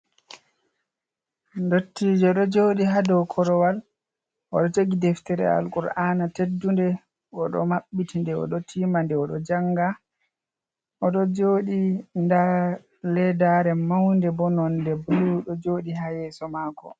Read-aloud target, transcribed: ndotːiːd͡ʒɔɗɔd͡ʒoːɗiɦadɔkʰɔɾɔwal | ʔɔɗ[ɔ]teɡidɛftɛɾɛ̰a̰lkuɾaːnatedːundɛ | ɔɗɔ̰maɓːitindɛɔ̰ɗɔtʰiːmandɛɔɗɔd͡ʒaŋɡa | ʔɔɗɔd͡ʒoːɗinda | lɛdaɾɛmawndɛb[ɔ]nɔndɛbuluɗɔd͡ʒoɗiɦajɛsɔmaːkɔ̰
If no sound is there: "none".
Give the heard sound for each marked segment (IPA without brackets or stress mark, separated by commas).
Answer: ɔ, ɔ